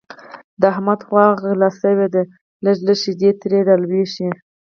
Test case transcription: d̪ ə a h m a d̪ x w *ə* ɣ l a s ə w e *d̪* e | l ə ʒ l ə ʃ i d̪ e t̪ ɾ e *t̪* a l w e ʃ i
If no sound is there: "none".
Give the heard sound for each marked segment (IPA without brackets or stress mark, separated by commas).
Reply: ɑ, d̪, d̪